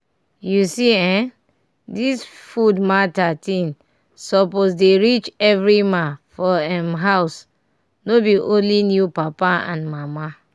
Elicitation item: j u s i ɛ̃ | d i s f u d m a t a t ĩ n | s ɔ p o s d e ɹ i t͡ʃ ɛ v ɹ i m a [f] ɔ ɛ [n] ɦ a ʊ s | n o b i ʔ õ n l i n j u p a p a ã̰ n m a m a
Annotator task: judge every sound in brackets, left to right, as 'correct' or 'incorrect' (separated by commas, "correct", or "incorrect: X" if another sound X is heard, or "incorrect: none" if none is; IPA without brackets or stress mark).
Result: correct, incorrect: m